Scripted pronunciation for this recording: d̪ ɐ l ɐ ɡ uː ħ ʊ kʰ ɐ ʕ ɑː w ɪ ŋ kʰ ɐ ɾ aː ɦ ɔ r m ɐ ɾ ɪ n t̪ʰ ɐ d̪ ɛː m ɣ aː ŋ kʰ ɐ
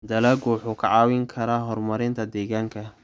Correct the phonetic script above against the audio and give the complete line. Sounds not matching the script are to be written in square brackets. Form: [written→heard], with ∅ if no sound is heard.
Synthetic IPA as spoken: d̪ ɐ l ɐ ɡ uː ħ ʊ kʰ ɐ ʕ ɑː w ɪ ŋ kʰ ɐ ɾ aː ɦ ɔ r m ɐ ɾ ɪ n t̪ʰ ɐ d̪ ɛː [m→∅] ɣ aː ŋ kʰ ɐ